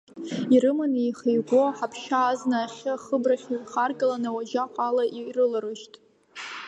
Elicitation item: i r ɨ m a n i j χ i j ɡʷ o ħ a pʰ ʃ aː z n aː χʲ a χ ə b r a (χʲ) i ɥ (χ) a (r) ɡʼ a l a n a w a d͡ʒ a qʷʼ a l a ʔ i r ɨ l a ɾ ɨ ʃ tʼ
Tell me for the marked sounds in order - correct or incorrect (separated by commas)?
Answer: correct, correct, correct